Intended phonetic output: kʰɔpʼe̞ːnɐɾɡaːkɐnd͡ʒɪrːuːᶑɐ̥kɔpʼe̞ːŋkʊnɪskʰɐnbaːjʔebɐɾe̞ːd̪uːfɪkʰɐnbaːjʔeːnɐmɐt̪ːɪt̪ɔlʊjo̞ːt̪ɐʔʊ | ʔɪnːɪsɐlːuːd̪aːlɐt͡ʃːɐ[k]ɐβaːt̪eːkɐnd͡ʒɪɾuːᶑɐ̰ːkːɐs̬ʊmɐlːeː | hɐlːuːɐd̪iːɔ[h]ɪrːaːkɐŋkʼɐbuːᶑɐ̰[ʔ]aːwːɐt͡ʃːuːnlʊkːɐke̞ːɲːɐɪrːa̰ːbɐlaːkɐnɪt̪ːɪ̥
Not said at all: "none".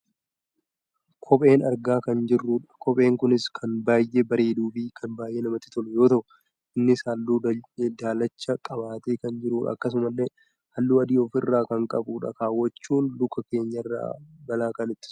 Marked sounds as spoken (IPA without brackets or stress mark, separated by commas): kʼ, f, k